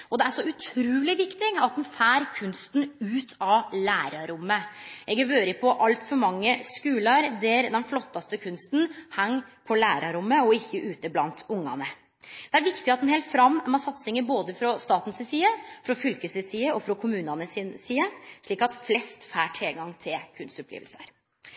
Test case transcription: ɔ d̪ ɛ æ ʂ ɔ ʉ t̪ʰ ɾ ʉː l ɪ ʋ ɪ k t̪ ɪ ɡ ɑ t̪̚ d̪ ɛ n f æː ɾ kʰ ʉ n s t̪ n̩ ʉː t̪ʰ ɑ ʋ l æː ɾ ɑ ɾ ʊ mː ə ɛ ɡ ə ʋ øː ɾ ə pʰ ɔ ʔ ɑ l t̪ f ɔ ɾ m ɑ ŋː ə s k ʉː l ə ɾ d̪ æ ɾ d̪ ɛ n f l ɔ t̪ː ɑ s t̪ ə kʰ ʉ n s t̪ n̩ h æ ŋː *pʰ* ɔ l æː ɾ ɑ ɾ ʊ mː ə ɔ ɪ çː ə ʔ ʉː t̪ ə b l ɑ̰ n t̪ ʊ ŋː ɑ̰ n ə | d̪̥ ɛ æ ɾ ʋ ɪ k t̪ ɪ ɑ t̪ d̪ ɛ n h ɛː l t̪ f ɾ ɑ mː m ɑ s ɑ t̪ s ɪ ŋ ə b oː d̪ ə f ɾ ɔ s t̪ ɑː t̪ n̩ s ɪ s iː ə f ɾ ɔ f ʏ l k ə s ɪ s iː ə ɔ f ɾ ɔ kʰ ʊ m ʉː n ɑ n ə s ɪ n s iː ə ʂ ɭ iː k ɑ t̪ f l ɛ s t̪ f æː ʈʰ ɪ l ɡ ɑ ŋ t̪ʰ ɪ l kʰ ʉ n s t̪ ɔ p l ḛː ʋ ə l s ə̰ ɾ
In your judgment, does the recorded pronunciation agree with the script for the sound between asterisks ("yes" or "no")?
yes